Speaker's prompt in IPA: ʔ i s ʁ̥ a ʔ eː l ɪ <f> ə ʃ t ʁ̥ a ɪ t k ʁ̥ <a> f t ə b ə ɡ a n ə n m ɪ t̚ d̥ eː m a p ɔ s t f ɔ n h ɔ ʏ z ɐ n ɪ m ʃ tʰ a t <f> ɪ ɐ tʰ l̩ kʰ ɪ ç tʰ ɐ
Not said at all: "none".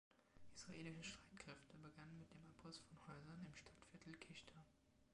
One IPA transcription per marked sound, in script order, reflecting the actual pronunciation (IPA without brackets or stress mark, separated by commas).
ʃ, ɛ, f